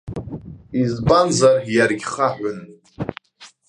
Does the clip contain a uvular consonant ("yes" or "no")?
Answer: yes